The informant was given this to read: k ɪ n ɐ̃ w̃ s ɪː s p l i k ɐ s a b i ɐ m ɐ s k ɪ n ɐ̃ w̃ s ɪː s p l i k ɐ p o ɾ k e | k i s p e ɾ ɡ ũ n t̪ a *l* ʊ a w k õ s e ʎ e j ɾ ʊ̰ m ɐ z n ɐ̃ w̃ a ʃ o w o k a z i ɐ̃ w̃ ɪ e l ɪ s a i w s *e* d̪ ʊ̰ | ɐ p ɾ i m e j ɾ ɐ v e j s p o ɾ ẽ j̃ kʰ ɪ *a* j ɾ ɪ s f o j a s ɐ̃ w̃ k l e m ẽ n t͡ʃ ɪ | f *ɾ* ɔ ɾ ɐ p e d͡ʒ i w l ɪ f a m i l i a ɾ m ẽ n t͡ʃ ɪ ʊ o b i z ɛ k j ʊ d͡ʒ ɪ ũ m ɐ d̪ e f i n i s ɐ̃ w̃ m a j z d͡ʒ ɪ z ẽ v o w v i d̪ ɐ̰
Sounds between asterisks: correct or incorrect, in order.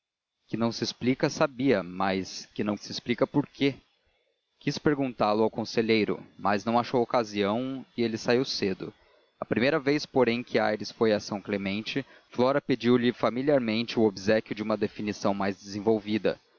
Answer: correct, correct, correct, incorrect

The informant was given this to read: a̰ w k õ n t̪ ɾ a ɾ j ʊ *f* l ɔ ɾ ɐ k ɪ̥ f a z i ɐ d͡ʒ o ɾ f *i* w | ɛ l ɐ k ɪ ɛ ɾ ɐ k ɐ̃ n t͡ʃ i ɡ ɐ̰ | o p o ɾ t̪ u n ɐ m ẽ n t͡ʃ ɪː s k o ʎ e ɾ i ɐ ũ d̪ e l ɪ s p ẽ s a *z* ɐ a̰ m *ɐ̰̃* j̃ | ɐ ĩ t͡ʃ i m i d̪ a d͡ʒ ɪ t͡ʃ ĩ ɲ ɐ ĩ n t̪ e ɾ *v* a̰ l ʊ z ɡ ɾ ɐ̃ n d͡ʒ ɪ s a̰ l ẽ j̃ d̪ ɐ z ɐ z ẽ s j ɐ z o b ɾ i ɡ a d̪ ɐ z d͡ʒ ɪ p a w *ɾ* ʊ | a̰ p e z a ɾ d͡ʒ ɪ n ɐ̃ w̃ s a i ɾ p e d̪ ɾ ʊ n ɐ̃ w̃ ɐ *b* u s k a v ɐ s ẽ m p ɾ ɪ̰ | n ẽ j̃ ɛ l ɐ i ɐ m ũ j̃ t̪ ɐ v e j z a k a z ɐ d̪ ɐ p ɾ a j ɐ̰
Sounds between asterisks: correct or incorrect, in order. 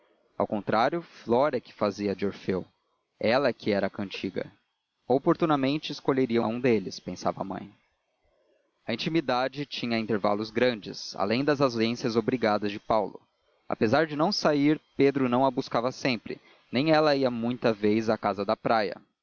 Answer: correct, incorrect, incorrect, correct, correct, incorrect, correct

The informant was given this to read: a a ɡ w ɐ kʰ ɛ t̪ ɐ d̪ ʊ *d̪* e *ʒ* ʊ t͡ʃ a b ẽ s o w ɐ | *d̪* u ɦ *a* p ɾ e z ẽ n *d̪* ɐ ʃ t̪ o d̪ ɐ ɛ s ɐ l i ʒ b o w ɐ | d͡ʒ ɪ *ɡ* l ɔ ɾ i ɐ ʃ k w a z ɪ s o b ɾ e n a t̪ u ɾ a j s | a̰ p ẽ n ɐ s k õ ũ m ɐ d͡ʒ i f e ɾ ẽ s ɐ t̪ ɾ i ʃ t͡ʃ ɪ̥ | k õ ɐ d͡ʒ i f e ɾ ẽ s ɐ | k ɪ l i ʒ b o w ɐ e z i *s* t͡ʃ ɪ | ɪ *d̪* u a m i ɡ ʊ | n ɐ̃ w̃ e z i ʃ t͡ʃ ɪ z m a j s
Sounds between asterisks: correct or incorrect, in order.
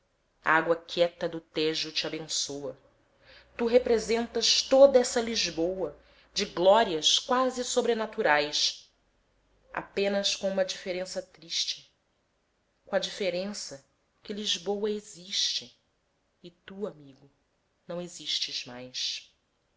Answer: incorrect, correct, incorrect, incorrect, incorrect, correct, incorrect, incorrect

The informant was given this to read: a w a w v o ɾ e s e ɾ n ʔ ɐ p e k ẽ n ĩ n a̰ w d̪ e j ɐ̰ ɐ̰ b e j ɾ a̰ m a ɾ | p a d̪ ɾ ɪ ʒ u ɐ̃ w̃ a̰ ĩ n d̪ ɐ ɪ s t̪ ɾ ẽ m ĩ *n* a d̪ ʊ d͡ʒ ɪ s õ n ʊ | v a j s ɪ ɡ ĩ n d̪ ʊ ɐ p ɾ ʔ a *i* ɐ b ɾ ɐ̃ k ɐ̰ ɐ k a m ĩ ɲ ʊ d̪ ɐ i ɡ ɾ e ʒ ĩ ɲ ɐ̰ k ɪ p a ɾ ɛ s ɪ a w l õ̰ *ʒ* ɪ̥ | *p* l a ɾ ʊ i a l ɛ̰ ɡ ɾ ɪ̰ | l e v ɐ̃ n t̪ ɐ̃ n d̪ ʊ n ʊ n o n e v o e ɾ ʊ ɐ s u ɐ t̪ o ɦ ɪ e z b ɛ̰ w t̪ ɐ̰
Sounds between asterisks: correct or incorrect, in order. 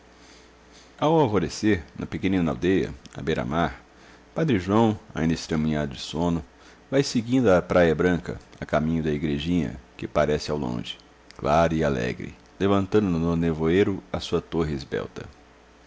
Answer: incorrect, incorrect, correct, incorrect

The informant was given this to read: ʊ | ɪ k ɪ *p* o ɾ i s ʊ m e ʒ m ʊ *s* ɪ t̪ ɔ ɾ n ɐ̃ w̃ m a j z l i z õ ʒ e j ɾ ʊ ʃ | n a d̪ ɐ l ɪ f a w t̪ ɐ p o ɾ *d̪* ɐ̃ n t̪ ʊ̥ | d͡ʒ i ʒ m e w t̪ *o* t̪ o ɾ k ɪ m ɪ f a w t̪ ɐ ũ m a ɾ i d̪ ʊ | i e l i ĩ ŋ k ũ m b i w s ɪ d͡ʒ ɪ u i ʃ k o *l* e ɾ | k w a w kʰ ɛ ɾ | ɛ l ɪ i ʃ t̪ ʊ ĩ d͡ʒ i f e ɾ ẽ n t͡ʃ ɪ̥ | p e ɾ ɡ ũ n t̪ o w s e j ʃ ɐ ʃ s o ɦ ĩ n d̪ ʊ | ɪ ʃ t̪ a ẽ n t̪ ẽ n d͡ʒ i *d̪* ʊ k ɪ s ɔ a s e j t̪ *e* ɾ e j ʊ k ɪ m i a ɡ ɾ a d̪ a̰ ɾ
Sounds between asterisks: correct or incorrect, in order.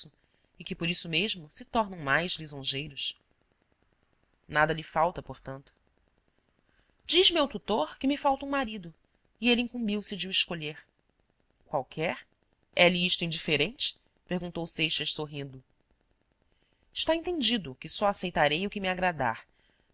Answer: correct, correct, incorrect, incorrect, incorrect, correct, incorrect

